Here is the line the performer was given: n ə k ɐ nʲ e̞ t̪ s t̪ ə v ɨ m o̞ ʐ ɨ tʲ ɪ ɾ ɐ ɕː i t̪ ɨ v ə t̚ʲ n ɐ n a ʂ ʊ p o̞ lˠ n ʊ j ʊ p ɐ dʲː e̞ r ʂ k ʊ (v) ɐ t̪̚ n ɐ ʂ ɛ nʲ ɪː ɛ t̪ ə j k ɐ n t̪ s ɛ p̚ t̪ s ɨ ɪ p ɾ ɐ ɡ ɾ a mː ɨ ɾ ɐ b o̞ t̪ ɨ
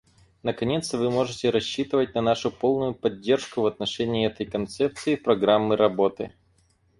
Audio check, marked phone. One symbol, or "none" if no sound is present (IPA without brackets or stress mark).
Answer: v